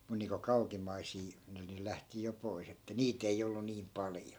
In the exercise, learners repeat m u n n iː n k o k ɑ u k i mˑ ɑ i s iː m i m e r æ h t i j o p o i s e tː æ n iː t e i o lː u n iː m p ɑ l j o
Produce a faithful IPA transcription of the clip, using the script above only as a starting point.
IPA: m u n n iː ŋ k o k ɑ u k i mˑ ɑ i s iː n i n e l æ h t i j o p o i s e tː æ n iː t e i o lː u n iː m p ɑ l j o